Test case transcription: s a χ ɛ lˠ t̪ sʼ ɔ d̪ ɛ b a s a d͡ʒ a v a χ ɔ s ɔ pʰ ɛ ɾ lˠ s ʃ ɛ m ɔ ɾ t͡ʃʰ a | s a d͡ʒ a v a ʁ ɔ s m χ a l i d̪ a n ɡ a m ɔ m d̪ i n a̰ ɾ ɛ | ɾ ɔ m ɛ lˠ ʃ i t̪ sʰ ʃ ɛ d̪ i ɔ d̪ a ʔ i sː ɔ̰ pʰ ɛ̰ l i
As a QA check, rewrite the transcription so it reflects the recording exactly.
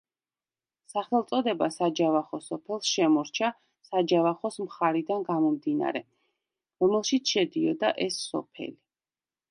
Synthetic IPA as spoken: s a χ ɛ lˠ t̪ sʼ ɔ d̪ ɛ b a s a d͡ʒ a v a χ ɔ s ɔ pʰ ɛ lˠ s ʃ ɛ m ɔ ɾ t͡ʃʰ a | s a d͡ʒ a v a χ ɔ s m χ a ɾ i d̪ a n ɡ a m ɔ m d̪ i n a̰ ɾ ɛ | ɾ ɔ m ɛ lˠ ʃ i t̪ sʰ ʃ ɛ d̪ i ɔ d̪ a ʔ ɛ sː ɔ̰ pʰ ɛ̰ l i

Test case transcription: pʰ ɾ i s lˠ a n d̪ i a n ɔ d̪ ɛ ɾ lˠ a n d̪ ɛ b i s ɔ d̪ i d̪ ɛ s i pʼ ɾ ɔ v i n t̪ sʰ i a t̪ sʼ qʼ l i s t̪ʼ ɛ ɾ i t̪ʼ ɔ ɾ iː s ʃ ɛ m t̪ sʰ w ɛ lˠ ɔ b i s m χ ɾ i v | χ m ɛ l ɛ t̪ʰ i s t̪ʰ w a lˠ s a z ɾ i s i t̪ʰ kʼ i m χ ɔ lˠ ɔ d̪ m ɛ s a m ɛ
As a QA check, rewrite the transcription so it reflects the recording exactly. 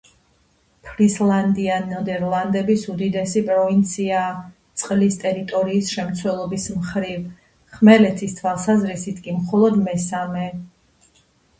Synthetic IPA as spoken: pʰ ɾ i s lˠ a n d̪ i a n ɔ d̪ ɛ ɾ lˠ a n d̪ ɛ b i s u d̪ i d̪ ɛ s i pʼ ɾ ɔ v i n t̪ sʰ i a t̪ sʼ qʼ l i s t̪ʼ ɛ ɾ i t̪ʼ ɔ ɾ iː s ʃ ɛ m t̪ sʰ w ɛ lˠ ɔ b i s m χ ɾ i v | χ m ɛ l ɛ t̪ʰ i s t̪ʰ w a lˠ s a z ɾ i s i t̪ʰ kʼ i m χ ɔ lˠ ɔ d̪ m ɛ s a m ɛ

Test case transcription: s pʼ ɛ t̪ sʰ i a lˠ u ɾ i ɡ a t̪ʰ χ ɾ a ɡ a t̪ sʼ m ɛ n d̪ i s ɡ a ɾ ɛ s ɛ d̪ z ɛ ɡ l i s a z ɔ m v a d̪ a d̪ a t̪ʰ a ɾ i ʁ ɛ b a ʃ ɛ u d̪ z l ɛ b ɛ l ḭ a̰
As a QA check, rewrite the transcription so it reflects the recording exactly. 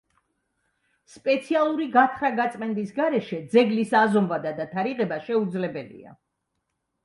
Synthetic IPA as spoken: s pʼ ɛ t̪ sʰ i a lˠ u ɾ i ɡ a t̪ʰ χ ɾ a ɡ a t̪ sʼ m ɛ n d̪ i s ɡ a ɾ ɛ ʃ ɛ d̪ z ɛ ɡ l i s a z ɔ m v a d̪ a d̪ a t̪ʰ a ɾ i ʁ ɛ b a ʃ ɛ u d̪ z l ɛ b ɛ l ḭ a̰

